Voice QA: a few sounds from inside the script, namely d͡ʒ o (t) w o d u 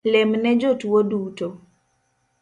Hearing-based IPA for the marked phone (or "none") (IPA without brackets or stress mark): t